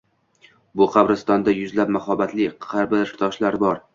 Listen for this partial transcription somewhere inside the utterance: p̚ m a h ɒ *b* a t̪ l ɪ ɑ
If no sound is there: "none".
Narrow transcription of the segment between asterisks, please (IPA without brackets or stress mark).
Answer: b